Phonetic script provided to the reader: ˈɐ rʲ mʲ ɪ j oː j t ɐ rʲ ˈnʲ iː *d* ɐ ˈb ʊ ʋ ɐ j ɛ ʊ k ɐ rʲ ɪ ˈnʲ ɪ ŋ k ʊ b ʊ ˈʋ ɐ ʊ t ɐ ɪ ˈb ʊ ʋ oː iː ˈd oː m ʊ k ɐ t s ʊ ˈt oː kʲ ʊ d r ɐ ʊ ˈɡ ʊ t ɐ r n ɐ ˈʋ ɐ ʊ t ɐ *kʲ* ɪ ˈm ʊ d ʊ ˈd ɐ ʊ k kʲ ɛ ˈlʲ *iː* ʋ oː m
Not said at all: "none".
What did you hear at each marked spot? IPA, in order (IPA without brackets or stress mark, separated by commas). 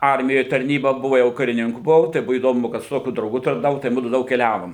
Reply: b, none, æː